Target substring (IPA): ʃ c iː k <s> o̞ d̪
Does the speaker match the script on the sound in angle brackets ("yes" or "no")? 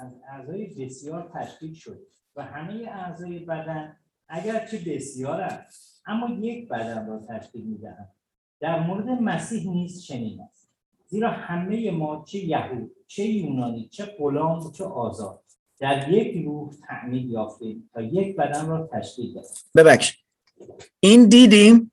no